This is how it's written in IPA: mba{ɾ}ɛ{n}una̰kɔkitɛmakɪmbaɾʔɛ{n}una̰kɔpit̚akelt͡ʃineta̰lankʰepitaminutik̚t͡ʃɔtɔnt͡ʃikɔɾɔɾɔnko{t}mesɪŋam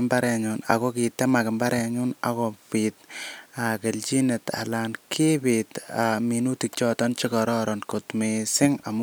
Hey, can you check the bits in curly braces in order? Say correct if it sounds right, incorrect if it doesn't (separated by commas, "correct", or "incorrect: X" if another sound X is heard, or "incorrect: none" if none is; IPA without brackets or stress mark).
correct, incorrect: ɲ, incorrect: ɲ, correct